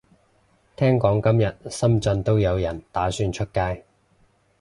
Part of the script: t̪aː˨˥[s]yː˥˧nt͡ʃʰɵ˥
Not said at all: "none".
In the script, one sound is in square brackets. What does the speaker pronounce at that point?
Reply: s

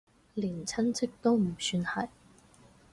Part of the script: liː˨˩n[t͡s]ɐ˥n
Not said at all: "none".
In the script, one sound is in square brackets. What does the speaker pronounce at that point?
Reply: t͡sʰ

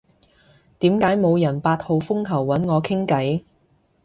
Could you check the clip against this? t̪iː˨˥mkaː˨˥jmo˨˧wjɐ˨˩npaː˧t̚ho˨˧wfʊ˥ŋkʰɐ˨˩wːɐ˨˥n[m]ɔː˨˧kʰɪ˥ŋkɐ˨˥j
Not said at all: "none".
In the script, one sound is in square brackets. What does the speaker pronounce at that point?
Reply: ŋ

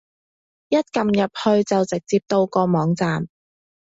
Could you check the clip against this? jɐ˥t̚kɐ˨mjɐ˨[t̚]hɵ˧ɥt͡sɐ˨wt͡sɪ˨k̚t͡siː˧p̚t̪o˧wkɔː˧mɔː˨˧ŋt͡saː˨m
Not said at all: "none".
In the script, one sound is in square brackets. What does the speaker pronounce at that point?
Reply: p̚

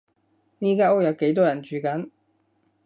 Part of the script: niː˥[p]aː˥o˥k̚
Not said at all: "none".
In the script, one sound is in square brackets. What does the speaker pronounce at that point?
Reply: k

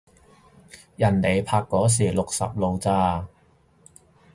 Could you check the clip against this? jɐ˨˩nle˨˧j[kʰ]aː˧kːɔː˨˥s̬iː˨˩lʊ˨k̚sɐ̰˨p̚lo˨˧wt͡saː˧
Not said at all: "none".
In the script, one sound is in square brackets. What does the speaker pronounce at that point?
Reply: pʰ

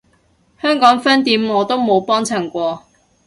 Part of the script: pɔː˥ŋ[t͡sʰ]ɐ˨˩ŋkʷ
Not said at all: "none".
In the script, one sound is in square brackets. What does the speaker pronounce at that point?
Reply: t͡sʰ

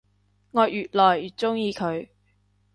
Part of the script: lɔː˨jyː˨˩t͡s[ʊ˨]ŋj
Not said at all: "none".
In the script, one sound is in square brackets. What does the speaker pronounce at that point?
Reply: ʊ˥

